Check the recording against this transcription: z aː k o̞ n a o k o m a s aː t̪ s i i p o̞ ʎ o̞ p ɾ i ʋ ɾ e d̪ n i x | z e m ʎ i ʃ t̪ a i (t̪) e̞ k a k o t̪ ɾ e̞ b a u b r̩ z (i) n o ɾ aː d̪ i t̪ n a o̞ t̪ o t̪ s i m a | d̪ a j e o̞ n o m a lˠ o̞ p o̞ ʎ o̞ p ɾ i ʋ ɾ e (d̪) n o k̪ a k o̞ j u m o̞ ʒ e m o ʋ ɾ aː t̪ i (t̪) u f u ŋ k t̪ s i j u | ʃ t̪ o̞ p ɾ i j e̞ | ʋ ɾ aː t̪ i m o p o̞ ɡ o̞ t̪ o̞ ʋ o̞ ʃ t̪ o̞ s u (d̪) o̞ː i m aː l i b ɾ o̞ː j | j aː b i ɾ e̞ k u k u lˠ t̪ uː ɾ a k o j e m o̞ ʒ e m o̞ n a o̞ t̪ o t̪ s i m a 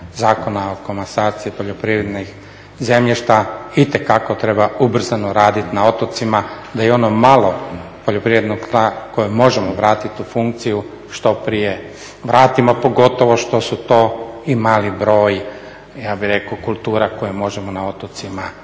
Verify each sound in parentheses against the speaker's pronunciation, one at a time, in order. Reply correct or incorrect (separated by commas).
correct, incorrect, correct, correct, incorrect